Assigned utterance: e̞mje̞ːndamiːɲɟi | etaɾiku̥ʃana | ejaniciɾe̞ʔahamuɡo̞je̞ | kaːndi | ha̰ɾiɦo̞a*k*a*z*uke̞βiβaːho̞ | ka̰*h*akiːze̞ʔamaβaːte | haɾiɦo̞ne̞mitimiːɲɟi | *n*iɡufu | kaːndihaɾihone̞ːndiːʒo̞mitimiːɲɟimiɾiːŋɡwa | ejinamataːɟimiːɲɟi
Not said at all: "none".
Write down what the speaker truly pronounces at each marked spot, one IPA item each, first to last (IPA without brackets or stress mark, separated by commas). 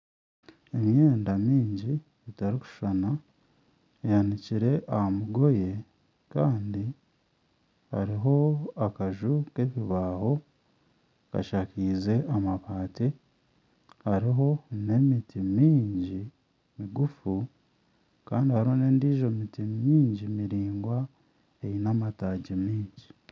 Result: k, ʒ, ʃ, m